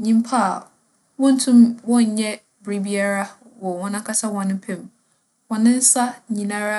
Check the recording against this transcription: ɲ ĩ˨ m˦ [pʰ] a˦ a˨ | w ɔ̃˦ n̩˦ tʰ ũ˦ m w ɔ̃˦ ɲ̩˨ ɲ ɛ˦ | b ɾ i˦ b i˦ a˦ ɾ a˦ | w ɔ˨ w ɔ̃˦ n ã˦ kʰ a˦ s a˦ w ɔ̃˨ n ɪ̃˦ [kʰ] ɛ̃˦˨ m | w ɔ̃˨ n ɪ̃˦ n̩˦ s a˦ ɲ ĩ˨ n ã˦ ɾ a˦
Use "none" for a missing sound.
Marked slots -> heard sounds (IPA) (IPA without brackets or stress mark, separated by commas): pʰ, pʰ